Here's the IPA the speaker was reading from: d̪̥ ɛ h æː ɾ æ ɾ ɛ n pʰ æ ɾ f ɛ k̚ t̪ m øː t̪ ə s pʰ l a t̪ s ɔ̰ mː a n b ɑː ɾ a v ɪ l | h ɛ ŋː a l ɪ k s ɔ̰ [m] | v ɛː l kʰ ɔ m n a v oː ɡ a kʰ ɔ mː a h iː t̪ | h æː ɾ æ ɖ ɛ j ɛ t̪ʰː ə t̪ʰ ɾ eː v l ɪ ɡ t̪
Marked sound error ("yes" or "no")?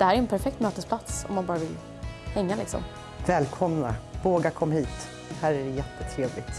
no